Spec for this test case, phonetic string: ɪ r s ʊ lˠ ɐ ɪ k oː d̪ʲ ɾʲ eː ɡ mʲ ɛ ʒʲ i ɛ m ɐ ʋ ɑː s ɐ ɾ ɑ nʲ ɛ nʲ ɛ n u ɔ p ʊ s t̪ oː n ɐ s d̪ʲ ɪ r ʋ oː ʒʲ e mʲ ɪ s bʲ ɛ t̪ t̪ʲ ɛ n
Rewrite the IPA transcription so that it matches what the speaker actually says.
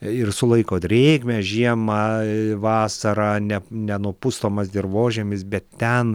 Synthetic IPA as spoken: ɪ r s ʊ lˠ ɐ ɪ k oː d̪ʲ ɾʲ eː ɡ mʲ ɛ ʒʲ i ɛ m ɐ ʋ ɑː s ɐ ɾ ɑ nʲ ɛ nʲ ɛ n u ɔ p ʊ s t̪ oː m ɐ s d̪ʲ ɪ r ʋ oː ʒʲ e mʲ ɪ s bʲ ɛ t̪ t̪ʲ ɛ n